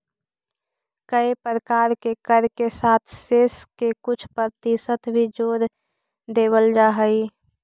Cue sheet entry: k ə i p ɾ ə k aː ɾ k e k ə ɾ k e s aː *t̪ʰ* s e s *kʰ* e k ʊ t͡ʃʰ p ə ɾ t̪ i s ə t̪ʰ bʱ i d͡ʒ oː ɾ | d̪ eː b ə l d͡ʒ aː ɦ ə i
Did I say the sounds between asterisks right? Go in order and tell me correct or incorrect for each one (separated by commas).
correct, incorrect